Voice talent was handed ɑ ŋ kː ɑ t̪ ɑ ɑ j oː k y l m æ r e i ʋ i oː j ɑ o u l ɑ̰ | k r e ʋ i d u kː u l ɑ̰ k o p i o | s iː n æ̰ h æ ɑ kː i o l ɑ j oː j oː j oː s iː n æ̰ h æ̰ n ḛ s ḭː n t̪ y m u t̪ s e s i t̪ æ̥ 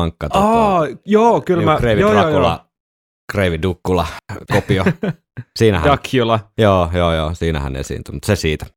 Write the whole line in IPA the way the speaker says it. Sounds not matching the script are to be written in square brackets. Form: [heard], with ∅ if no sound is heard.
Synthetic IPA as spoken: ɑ ŋ kː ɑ t̪ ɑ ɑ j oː k y l m æ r e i ʋ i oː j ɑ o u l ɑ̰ | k r e ʋ i d u kː u l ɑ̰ k o p i o | s iː n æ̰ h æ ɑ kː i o l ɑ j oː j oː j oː s iː n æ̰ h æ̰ n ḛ s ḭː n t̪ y m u t̪ s e s [iː] t̪ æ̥